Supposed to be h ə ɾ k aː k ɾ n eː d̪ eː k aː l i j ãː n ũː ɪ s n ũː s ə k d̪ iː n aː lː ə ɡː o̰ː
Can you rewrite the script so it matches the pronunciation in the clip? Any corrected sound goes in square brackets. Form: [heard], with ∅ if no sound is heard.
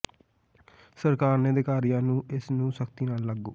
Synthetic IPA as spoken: [s] ə ɾ k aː [∅] ɾ n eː d̪ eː k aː [ɾ] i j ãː n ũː ɪ s n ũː s ə k [t̪] iː n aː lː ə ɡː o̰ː